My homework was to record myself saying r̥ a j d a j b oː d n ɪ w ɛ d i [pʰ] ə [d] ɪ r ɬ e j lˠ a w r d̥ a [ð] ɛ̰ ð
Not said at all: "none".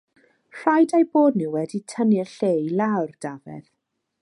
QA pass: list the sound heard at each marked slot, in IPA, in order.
tʰ, n, v

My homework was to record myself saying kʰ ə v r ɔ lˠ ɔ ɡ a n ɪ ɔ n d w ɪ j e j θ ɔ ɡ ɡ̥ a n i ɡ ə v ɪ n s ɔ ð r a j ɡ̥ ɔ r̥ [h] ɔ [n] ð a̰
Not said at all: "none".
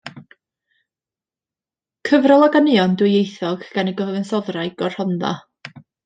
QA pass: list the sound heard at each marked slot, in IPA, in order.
h, n

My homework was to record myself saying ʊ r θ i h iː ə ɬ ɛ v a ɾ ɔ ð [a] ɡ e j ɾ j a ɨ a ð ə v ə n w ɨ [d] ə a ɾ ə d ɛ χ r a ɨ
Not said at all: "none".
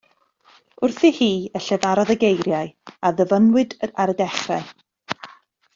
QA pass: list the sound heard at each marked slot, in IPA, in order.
ə, d

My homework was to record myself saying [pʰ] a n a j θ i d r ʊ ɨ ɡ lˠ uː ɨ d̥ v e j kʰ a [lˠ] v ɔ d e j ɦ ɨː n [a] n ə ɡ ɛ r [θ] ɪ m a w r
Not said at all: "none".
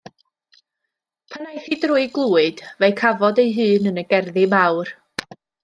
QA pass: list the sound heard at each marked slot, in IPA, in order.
pʰ, none, ə, ð

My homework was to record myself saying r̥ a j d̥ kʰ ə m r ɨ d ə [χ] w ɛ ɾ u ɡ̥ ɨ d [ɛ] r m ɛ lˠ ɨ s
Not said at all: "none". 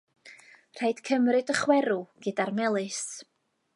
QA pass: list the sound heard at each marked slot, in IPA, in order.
χ, a

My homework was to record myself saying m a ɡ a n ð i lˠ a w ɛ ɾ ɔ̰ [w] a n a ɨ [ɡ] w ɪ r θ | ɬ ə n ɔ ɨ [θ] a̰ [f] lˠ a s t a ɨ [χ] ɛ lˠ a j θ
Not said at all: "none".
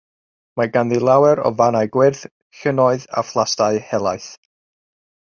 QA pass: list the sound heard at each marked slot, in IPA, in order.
v, ɡ, ð, f, h

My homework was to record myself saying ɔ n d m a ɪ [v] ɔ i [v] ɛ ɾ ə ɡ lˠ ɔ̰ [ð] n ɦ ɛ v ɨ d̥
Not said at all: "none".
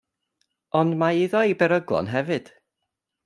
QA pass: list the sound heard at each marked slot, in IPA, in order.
ð, b, none

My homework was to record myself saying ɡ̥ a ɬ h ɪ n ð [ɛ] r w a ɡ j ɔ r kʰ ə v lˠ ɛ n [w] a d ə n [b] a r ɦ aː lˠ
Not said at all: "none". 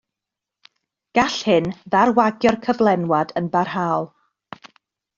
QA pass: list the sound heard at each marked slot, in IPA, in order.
a, w, b

